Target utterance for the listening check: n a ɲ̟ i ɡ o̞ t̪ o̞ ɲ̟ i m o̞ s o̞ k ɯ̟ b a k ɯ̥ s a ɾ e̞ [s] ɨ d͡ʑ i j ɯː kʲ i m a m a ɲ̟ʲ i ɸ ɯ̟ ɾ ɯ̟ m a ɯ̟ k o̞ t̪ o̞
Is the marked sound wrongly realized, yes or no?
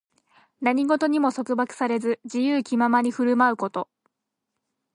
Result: yes